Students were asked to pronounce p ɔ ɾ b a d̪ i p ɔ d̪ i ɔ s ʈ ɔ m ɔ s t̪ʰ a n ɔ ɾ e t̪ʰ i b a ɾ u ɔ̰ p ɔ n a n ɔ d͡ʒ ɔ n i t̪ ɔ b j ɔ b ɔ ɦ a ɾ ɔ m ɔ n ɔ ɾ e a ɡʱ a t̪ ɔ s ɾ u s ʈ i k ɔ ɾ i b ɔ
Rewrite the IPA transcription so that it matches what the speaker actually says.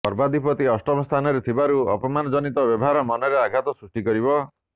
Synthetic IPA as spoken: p ɔ ɾ b a d̪ i p ɔ t̪ i ɔ s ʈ ɔ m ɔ s t̪ʰ a n ɔ ɾ e t̪ʰ i b a ɾ u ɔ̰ p ɔ m a n ɔ d͡ʒ ɔ n i t̪ ɔ b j ɔ b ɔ ɦ a ɾ ɔ m ɔ n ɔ ɾ e a ɡʱ a t̪ ɔ s ɾ u s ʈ i k ɔ ɾ i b ɔ

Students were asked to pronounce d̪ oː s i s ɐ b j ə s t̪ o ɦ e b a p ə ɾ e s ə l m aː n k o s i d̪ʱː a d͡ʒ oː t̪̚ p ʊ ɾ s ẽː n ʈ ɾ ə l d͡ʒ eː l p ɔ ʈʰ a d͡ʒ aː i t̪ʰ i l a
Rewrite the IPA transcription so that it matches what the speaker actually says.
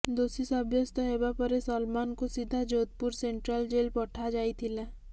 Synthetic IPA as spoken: d̪ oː s i s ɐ b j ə s t̪ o ɦ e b a p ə ɾ e s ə l m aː n k o s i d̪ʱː a d͡ʒ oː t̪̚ p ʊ ɾ s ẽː ɳ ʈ ɾ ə l d͡ʒ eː l p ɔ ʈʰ a d͡ʒ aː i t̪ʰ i l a

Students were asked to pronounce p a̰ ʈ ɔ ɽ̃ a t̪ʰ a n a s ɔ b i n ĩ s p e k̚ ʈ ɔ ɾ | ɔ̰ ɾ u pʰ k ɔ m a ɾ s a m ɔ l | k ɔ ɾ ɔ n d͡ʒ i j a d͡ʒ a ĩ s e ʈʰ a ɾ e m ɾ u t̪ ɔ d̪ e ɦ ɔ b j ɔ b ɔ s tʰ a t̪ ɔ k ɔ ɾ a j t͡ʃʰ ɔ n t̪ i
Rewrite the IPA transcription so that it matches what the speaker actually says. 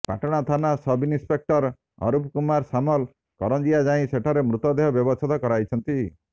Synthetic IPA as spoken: p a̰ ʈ ɔ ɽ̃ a t̪ʰ a n a s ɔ b i n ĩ s p e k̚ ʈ ɔ ɾ | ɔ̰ ɾ u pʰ k u m a ɾ s a m ɔ l | k ɔ ɾ ɔ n d͡ʒ i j a d͡ʒ a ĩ s e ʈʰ a ɾ e m ɾ u t̪ ɔ d̪ e ɦ ɔ b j ɔ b ɔ s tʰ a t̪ ɔ k ɔ ɾ a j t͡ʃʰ ɔ n t̪ i

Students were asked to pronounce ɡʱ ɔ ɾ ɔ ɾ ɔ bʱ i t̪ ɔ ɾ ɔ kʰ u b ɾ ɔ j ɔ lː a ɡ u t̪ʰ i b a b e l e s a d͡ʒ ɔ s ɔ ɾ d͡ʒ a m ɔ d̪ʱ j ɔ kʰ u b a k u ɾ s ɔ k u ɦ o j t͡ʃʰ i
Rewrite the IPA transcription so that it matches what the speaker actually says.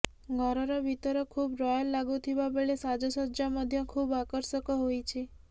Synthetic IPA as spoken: ɡʱ ɔ ɾ ɔ ɾ ɔ bʱ i t̪ ɔ ɾ ɔ kʰ u b ɾ ɔ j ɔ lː a ɡ u t̪ʰ i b a b e ɭ e s a d͡ʒ ɔ s ɔ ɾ d͡ʒ a m ɔ d̪ʱ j ɔ kʰ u b a k ɔ ɾ s ɔ k ɔ ɦ o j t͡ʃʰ i

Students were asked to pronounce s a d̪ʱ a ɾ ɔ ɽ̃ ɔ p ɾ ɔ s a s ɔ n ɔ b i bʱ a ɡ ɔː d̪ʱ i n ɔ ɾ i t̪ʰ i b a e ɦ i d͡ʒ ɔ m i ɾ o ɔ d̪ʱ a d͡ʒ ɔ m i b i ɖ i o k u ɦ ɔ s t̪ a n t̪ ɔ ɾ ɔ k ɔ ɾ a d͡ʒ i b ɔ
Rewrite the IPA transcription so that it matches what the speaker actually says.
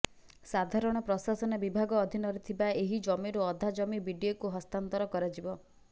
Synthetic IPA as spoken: s a d̪ʱ a ɾ ɔ ɽ̃ ɔ p ɾ ɔ s a s ɔ n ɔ b i bʱ a ɡ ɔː d̪ʱ i n ɔ ɾ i t̪ʰ i b a e ɦ i d͡ʒ ɔ m i ɾ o ɔ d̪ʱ a d͡ʒ ɔ m i b i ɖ i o k u ɦ ɔ s t̪ a n t̪ ɔ ɾ ɔ k ɔ ɾ a d͡ʒ i b ɔ

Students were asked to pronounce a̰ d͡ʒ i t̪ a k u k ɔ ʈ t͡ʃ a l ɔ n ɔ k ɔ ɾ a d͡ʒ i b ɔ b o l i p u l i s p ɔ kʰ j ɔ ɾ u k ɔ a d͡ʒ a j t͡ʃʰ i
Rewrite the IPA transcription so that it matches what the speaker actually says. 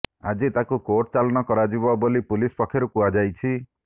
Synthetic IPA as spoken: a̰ d͡ʒ i t̪ a k u k o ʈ t͡ʃ a l ɔ n ɔ k ɔ ɾ a d͡ʒ i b ɔ b o l i p u l i s p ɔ kʰ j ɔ ɾ u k u a d͡ʒ a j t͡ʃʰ i

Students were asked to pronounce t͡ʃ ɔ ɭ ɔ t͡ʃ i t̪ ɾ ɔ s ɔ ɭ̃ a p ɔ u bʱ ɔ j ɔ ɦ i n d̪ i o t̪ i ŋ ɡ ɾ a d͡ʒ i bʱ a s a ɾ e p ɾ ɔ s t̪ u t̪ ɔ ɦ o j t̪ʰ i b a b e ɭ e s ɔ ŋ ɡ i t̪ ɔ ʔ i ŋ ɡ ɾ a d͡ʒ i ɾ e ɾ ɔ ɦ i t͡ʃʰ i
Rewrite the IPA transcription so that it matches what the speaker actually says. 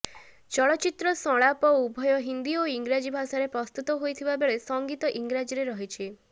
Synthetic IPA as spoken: t͡ʃ ɔ ɭ ɔ t͡ʃ i t̪ ɾ ɔ s ɔ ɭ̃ a p ɔ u bʱ ɔ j ɔ ɦ i n d̪ i o i ŋ ɡ ɾ a d͡ʒ i bʱ a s a ɾ e p ɾ ɔ s t̪ u t̪ ɔ ɦ o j t̪ʰ i b a b e ɭ e s ɔ ŋ ɡ i t̪ ɔ ʔ i ŋ ɡ ɾ a d͡ʒ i ɾ e ɾ ɔ ɦ i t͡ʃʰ i

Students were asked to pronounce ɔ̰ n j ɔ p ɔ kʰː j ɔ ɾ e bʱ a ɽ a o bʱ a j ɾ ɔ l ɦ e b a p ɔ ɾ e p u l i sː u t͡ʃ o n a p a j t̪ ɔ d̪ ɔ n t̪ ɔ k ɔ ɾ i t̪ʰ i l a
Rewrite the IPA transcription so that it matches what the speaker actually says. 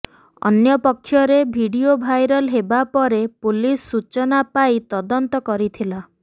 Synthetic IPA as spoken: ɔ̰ n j ɔ p ɔ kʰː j ɔ ɾ e bʱ i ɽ i o bʱ a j ɾ ɔ l ɦ e b a p ɔ ɾ e p u l i sː u t͡ʃ ɔ n a p a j t̪ ɔ d̪ ɔ n t̪ ɔ k ɔ ɾ i t̪ʰ i l a

